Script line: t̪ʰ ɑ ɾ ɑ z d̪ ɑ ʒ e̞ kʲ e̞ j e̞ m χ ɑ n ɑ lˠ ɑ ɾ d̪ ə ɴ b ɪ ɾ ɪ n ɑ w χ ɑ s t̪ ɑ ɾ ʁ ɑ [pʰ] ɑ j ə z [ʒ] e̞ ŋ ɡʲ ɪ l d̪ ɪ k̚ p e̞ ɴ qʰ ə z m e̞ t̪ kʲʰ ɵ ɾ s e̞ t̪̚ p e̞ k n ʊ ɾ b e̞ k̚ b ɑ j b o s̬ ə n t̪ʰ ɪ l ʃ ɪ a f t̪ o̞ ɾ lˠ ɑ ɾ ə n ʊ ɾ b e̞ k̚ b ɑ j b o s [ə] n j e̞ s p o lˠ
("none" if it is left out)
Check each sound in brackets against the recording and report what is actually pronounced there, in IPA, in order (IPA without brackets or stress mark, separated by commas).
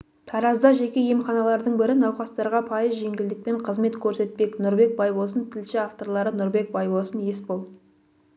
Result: pʰ, ʒ, ə